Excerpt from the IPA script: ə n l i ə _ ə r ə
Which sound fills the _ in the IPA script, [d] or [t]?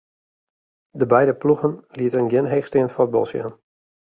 t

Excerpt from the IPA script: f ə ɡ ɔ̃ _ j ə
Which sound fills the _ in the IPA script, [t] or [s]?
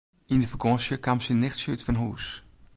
s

